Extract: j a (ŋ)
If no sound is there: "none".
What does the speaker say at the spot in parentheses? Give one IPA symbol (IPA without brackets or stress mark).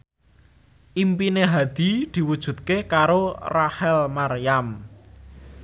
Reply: m